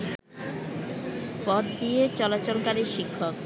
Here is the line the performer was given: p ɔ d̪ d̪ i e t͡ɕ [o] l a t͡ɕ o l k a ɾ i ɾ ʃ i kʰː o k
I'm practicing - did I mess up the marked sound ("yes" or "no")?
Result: yes